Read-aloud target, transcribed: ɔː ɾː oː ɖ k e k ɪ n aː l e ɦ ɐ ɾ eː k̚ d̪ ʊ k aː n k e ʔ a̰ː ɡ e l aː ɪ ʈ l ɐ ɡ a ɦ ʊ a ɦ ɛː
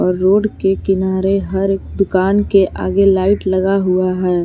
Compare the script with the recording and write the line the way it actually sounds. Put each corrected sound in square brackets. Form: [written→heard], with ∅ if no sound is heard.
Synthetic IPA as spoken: ɔː ɾː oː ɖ k e k ɪ n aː [l→ɾ] e ɦ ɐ ɾ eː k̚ d̪ ʊ k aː n k e ʔ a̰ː ɡ e l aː ɪ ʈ l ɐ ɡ a ɦ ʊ a ɦ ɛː